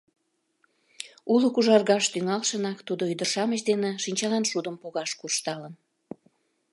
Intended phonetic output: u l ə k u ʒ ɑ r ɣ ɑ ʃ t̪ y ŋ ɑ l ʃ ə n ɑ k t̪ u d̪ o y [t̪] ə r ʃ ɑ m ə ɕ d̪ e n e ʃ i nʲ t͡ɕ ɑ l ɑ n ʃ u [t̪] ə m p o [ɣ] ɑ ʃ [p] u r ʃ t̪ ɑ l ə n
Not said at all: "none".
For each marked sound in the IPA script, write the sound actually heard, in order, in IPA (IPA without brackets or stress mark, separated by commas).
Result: d̪, d̪, ɣ, k